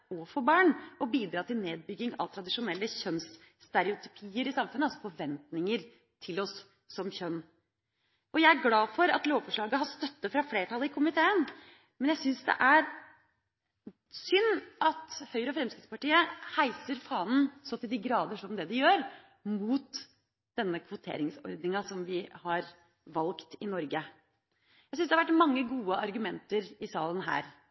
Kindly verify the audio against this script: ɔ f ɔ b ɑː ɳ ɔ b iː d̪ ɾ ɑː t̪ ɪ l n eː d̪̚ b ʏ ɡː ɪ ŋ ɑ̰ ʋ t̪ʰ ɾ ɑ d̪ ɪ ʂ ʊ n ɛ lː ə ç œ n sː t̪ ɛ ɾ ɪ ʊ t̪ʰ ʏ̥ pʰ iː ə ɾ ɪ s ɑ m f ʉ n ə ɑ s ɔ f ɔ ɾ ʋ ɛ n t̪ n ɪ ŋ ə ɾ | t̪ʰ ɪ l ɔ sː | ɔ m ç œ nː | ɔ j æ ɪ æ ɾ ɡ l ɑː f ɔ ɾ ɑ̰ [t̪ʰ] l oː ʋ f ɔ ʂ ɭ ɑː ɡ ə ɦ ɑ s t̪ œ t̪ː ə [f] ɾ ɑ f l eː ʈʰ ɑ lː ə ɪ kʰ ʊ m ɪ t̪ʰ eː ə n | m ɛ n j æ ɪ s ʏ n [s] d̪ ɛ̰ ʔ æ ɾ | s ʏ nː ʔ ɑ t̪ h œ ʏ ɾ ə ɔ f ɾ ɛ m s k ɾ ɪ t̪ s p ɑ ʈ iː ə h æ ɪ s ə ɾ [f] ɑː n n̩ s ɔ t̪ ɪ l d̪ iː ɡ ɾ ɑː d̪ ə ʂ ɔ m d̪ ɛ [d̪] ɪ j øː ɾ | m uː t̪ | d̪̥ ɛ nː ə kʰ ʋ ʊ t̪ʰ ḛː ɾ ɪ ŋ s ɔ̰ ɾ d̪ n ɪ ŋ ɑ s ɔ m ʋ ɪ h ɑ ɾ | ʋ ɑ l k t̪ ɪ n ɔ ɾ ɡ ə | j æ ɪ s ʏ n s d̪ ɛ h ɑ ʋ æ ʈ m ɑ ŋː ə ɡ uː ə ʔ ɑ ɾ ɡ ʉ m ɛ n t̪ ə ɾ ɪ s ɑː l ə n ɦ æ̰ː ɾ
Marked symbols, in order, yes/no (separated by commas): no, yes, yes, yes, yes